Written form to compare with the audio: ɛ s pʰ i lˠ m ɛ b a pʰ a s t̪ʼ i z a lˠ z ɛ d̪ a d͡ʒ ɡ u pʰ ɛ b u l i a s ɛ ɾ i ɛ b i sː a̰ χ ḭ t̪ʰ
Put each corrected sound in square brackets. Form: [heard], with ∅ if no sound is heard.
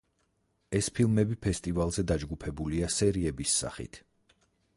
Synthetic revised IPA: ɛ s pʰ i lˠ m ɛ b [i] pʰ [ɛ] s t̪ʼ i [v] a lˠ z ɛ d̪ a d͡ʒ ɡ u pʰ ɛ b u l i a s ɛ ɾ i ɛ b i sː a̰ χ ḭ t̪ʰ